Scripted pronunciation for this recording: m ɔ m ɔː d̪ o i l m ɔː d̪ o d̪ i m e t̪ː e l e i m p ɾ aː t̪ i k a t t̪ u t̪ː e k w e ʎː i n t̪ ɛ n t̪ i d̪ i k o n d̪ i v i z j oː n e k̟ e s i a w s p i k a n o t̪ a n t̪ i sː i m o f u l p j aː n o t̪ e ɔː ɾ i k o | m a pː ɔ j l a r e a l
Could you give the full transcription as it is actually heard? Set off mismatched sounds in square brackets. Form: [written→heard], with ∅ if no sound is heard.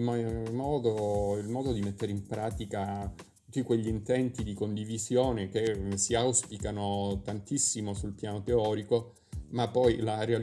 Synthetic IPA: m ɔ m ɔː d̪ o i l m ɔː d̪ o d̪ i m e t̪ː e [l→ɾ] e i m p ɾ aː t̪ i k a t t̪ u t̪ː [e→i] k w e ʎː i n t̪ ɛ n t̪ i d̪ i k o n d̪ i v i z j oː n e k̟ e s i a w s p i k a n o t̪ a n t̪ i sː i m o [f→s] u l p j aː n o t̪ e ɔː ɾ i k o | m a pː ɔ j l a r e a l

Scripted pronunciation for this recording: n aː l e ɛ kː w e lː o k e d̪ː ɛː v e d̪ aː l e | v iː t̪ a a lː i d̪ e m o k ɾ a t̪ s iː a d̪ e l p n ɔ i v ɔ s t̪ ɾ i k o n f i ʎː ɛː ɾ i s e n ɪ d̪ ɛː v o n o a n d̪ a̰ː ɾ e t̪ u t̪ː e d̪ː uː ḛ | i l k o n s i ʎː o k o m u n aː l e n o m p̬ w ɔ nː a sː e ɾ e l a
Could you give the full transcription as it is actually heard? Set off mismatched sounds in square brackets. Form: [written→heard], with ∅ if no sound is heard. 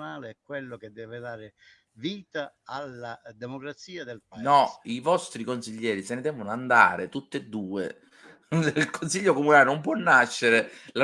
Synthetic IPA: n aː l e ɛ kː w e lː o k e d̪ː ɛː v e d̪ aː [l→ɾ] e | v iː t̪ a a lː [i→a] d̪ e m o k ɾ a t̪ s iː a d̪ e l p n ɔ i v ɔ s t̪ ɾ i k o n [f→s] i ʎː ɛː ɾ i s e n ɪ d̪ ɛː v o n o a n d̪ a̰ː ɾ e t̪ u t̪ː e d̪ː uː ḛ | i l k o n s i ʎː o k o m u n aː l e n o m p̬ w ɔ nː a [sː→ʃː] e ɾ e l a

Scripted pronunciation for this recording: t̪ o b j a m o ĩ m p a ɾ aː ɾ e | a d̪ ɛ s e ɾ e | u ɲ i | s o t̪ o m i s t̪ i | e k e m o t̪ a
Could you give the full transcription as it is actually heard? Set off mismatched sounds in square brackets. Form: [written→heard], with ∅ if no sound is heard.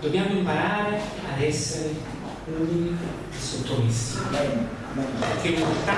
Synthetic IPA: [t̪→d̪] o b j a m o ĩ m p a ɾ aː ɾ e | a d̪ ɛ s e ɾ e | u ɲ i | s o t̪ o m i s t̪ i | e k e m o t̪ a

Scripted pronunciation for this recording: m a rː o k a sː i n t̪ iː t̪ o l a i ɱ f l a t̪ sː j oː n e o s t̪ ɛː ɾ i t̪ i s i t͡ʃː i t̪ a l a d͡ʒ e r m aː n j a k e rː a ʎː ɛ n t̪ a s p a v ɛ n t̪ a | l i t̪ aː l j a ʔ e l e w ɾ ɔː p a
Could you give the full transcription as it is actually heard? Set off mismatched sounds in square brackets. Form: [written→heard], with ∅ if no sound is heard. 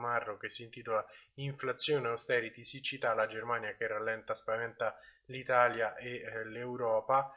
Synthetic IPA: m a rː o k [a→e] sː i n t̪ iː t̪ o l a i ɱ f l a t̪ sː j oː n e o s t̪ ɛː ɾ i t̪ i s i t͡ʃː i t̪ a l a d͡ʒ e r m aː n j a k e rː a [ʎː→lː] ɛ n t̪ a s p a v ɛ n t̪ a | l i t̪ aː l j a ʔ e l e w ɾ ɔː p a

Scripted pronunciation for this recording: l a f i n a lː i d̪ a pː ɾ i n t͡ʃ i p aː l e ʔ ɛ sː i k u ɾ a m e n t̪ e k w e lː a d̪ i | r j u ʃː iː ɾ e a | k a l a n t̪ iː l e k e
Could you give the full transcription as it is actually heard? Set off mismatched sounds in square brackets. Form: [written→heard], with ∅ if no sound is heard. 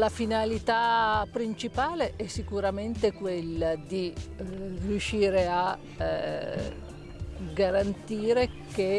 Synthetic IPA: l a f i n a [lː→l] i [d̪→t̪] a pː ɾ i n t͡ʃ i p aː l e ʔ ɛ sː i k u ɾ a m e n t̪ e k w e lː a d̪ i | r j u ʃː iː ɾ e a | [k→ɡ] a [l→ɾ] a n t̪ iː [l→ɾ] e k e

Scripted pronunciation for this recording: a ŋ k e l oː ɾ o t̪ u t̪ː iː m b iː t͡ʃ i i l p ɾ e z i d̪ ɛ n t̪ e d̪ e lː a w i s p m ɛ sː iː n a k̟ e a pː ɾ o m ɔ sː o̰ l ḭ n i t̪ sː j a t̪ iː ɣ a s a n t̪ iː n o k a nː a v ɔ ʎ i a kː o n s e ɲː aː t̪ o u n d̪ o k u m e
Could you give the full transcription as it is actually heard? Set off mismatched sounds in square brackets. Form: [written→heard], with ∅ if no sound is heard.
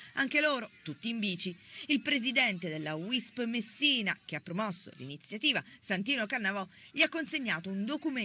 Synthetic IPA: a ŋ k e l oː ɾ o t̪ u t̪ː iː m b iː t͡ʃ i i l p ɾ e z i d̪ ɛ n t̪ e d̪ e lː a w i s p m [ɛ→e] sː iː n a k̟ e a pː ɾ o m ɔ sː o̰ l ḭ n i t̪ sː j a t̪ iː [ɣ→v] a s a n t̪ iː n o k a nː a v ɔ ʎ i a kː o n s e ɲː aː t̪ o u n d̪ o k u m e

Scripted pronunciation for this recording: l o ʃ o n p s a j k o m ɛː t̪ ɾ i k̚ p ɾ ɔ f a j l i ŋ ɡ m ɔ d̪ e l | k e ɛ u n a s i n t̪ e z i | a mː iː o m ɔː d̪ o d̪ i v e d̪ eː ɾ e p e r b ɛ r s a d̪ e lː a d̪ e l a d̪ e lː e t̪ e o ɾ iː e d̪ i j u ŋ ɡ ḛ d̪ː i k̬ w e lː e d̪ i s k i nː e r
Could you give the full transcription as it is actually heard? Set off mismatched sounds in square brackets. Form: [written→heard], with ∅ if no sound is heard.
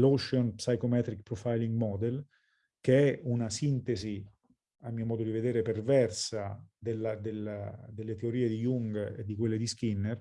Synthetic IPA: l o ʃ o n p s a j k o m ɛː t̪ ɾ i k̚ p ɾ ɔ f a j l i ŋ ɡ m ɔ d̪ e l | k e ɛ u n a s i n t̪ e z i | a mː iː o m ɔː d̪ o d̪ i v e d̪ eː ɾ e p e r [b→v] ɛ r s a d̪ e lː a d̪ e l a d̪ e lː e t̪ e o ɾ iː e d̪ i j u ŋ ɡ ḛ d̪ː i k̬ w e lː e d̪ i s k i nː e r

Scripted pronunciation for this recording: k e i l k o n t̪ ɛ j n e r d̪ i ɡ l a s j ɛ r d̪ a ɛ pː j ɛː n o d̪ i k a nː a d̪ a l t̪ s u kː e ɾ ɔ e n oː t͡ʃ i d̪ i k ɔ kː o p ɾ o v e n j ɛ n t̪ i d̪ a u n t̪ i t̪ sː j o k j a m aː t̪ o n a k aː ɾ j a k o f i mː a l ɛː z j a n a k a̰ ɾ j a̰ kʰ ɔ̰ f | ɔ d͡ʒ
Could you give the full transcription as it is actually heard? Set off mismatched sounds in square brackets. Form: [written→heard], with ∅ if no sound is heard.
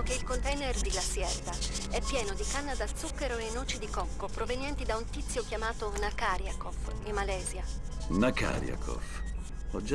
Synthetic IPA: k e i l k o n t̪ ɛ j n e r d̪ i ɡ l a s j ɛ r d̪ a ɛ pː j ɛː n o d̪ i k a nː a d̪ a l t̪ s u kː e ɾ [ɔ→o] e n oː t͡ʃ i d̪ i k ɔ kː o p ɾ o v e n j ɛ n t̪ i d̪ a u n t̪ i t̪ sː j o k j a m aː t̪ o n a k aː ɾ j a k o f i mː a l ɛː z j a n a k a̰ ɾ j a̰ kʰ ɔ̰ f | ɔ d͡ʒ

